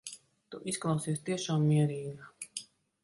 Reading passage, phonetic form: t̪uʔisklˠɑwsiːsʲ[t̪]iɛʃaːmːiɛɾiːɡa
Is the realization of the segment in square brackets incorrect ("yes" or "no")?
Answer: no